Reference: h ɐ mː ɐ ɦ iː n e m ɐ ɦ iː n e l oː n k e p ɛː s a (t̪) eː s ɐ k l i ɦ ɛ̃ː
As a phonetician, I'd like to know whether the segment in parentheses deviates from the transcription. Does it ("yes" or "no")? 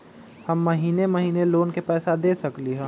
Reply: yes